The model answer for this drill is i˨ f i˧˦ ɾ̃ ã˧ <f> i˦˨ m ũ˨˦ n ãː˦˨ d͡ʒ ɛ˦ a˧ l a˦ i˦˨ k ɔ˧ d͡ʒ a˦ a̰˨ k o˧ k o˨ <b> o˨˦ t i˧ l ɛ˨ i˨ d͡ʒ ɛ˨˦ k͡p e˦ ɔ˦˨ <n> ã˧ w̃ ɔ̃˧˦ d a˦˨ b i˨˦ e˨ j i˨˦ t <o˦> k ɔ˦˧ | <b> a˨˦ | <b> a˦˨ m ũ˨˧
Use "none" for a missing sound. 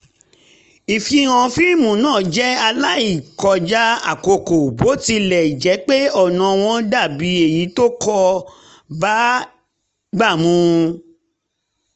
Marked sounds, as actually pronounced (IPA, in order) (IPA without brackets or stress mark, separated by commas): f, b, n, o˦, b, ɡ͡b